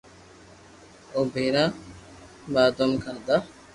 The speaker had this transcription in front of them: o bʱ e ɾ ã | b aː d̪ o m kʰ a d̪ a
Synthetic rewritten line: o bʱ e ɾ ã | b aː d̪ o m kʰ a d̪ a